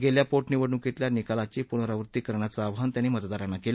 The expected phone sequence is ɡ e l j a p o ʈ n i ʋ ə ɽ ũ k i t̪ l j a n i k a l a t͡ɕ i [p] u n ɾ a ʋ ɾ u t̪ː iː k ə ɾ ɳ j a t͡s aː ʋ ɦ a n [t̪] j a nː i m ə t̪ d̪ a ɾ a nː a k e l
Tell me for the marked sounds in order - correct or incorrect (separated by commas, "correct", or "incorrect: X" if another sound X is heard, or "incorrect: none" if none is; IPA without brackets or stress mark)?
correct, correct